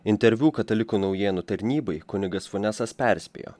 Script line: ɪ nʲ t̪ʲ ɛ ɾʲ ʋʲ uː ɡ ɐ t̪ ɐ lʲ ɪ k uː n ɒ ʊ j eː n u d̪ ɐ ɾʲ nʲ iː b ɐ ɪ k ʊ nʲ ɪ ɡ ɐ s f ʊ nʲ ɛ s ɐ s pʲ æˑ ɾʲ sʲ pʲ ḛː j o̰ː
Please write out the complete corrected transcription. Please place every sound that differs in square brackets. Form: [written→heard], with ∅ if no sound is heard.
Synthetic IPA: ɪ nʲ t̪ʲ ɛ ɾʲ ʋʲ uː [ɡ→k] ɐ t̪ ɐ lʲ ɪ k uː n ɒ ʊ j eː n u [d̪→t̪] ɐ ɾʲ nʲ iː b ɐ ɪ k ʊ nʲ ɪ ɡ ɐ s f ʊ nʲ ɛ s ɐ s pʲ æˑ ɾʲ sʲ pʲ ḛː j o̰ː